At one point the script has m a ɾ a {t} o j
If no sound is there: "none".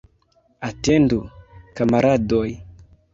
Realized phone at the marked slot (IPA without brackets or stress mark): d